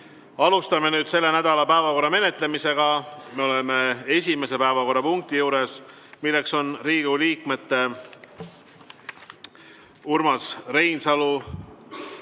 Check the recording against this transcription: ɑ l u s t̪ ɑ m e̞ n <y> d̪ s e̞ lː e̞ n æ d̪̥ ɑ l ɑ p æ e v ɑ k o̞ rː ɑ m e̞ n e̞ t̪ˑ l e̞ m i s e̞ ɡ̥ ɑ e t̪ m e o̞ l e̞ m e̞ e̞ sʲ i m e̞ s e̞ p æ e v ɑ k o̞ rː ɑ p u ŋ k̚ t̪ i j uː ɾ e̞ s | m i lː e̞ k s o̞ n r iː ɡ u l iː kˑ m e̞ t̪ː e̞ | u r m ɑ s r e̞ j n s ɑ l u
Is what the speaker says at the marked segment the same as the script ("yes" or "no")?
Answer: no